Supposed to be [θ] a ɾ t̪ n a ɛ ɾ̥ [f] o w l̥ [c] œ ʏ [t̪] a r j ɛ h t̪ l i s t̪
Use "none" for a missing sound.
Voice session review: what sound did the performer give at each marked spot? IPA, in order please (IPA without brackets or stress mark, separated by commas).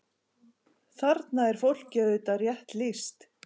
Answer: θ, f, c, t̪